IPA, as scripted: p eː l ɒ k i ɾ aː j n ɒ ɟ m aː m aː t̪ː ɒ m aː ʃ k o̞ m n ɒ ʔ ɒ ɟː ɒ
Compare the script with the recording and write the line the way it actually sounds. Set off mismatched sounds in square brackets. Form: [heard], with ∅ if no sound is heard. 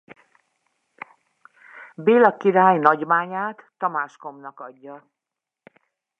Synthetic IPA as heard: [b] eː l ɒ k i ɾ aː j n ɒ ɟ m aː [ɲ] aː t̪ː ɒ m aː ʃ k o̞ m n ɒ [k] ɒ ɟː ɒ